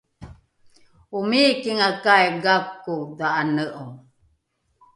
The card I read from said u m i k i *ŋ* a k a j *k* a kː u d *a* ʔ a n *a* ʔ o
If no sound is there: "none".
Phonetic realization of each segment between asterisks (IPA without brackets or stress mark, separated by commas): ŋ, ɡ, a, ə